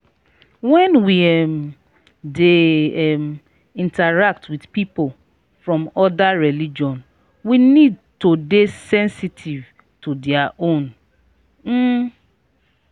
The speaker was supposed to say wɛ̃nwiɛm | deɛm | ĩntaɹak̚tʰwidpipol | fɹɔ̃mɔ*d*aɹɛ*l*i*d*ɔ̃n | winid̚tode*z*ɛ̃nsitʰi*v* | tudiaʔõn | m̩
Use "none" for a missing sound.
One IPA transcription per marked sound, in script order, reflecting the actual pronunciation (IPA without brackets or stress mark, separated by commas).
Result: d, l, d͡ʒ, s, v